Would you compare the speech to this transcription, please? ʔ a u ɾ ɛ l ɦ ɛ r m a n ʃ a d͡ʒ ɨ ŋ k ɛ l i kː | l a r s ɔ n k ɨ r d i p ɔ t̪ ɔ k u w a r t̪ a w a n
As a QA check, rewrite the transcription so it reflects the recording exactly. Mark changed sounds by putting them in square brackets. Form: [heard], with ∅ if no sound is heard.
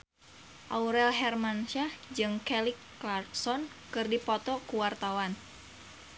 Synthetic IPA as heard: ʔ a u ɾ ɛ l ɦ ɛ r m a n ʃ a d͡ʒ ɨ ŋ k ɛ l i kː | l a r s ɔ n k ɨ r d i p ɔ t̪ ɔ k u w a r t̪ a w a n